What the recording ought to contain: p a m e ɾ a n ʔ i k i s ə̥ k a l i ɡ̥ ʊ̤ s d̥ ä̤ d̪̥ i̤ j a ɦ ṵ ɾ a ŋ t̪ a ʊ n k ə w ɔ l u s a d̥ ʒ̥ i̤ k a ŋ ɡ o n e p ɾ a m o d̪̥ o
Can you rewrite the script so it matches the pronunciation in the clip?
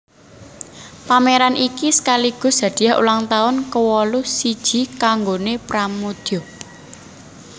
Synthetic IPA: p a m e ɾ a n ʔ i k i s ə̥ k a l i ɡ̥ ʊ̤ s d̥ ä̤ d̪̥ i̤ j a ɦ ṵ l a ŋ t̪ a ʊ n k ə w ɔ l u s i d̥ ʒ̥ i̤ k a ŋ ɡ o n e p ɾ a m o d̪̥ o